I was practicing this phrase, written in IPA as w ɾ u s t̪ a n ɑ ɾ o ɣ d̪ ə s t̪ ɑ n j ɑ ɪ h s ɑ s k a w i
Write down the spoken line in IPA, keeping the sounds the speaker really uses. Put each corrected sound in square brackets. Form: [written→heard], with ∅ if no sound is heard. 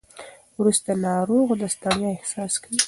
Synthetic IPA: w ɾ u s t̪ a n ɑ ɾ o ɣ d̪ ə s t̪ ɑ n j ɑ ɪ h s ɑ s k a w i